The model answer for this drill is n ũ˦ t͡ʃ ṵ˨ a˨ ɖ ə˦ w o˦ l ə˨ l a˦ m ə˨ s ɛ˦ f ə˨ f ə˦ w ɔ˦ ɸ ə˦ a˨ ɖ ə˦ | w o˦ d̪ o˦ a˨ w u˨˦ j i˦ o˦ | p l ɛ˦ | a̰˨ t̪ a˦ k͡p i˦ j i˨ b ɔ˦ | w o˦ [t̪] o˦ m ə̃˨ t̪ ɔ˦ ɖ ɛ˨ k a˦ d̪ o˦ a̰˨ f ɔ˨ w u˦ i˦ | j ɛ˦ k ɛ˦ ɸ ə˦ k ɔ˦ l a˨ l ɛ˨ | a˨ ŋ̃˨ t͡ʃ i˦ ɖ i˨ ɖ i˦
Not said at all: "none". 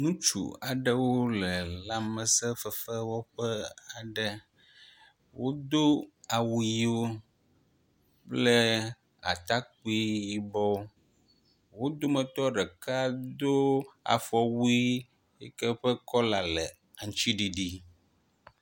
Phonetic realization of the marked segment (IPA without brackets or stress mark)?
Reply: d̪